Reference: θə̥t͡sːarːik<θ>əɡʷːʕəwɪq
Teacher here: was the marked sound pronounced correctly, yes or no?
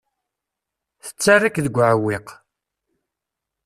no